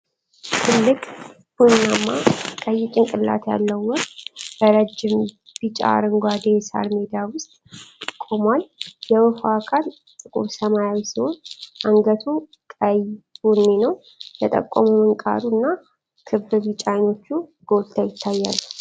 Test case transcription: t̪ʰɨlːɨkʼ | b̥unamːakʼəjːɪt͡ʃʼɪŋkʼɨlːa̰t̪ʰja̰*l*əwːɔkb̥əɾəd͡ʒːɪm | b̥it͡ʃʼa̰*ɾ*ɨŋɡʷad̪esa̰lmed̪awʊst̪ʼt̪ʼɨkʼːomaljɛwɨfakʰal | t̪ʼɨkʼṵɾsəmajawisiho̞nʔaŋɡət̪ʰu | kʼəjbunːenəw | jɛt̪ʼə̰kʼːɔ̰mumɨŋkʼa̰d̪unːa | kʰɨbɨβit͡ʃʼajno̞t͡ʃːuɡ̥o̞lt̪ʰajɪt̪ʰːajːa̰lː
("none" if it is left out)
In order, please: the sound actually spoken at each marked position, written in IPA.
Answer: lː, ɾ

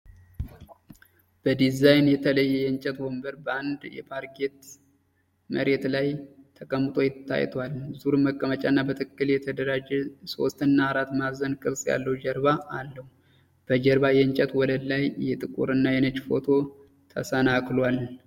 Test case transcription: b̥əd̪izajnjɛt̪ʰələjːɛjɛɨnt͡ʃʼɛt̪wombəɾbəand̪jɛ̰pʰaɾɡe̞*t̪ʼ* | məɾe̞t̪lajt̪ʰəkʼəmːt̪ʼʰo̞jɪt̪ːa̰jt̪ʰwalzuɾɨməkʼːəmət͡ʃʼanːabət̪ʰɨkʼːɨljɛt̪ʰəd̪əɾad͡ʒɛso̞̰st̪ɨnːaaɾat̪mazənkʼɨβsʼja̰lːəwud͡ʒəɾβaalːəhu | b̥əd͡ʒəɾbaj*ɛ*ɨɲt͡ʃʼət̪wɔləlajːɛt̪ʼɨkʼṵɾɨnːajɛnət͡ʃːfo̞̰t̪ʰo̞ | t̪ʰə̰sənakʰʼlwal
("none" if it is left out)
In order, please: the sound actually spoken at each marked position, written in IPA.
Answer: t̪, ɛ

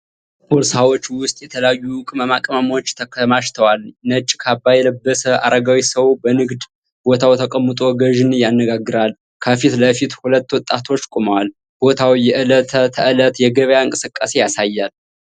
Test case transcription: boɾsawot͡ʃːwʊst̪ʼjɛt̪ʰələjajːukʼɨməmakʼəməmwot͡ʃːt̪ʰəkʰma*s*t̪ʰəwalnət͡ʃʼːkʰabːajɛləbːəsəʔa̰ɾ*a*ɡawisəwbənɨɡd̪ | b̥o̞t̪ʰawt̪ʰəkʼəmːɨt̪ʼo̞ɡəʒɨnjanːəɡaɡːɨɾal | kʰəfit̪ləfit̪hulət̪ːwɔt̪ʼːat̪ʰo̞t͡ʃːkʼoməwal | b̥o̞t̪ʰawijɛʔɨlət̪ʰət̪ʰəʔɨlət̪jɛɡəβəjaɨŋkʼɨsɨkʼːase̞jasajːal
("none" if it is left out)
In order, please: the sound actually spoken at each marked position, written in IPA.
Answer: ʃ, ə

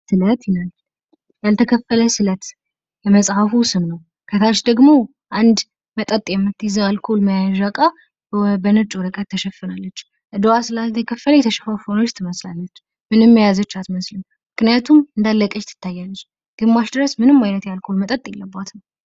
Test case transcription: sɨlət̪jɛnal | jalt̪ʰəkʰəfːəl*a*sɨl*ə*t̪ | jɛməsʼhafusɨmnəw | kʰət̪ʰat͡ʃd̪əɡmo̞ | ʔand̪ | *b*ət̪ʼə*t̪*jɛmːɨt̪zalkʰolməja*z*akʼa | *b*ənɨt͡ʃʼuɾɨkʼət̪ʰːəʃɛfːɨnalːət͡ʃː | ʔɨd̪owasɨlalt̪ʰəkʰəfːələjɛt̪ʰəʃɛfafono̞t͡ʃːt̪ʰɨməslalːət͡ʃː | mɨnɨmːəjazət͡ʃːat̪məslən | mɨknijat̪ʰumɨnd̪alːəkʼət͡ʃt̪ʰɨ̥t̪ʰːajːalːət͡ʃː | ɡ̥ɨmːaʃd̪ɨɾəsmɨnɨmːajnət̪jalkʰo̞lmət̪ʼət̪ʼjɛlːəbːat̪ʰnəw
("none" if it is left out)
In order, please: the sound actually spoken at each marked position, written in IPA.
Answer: ə, ə, m, t̪ʼ, ʒ, b

